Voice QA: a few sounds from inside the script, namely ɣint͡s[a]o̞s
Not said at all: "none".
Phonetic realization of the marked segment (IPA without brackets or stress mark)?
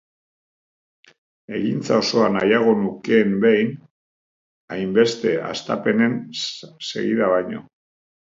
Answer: a